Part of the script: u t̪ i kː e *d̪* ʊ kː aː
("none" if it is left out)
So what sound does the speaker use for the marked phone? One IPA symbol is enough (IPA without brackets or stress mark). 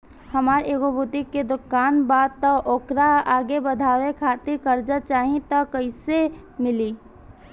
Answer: d̪